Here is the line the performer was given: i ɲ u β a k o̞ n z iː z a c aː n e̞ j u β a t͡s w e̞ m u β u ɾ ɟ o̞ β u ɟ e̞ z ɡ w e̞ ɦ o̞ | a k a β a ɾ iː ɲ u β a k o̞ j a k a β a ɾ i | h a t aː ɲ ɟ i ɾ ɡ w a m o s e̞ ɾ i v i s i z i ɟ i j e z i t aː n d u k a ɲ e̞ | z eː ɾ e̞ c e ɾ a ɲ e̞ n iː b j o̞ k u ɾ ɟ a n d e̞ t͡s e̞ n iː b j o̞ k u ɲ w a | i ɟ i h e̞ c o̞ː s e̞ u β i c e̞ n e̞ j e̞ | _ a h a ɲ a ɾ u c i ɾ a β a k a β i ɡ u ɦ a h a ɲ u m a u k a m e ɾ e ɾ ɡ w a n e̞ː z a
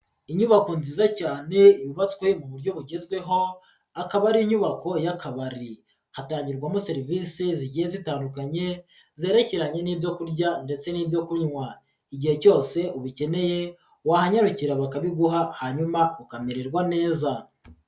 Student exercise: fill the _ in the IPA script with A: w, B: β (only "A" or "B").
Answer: A